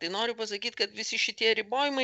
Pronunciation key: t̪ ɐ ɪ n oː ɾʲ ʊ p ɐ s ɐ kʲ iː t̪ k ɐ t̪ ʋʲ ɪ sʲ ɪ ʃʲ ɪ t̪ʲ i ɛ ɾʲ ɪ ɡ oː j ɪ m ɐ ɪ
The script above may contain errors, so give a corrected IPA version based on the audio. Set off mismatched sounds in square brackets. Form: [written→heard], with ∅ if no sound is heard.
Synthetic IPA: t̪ ɐ ɪ n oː ɾʲ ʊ p ɐ s ɐ kʲ iː t̪ k ɐ t̪ ʋʲ ɪ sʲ ɪ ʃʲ ɪ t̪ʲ i ɛ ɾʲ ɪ [ɡ→b] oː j ɪ m ɐ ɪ